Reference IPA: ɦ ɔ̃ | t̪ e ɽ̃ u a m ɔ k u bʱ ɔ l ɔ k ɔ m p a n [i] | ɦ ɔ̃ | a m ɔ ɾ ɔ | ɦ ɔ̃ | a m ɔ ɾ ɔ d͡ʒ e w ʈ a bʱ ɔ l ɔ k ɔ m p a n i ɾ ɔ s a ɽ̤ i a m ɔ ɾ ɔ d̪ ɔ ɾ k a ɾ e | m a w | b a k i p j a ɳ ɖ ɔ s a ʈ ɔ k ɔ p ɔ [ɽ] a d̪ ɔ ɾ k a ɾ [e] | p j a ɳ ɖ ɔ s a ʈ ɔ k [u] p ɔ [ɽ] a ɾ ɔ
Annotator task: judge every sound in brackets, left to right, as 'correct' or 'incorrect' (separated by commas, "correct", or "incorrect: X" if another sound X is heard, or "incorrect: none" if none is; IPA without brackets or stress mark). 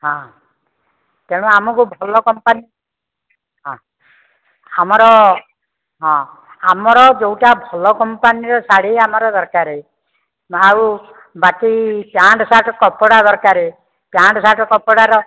correct, correct, correct, incorrect: ɔ, correct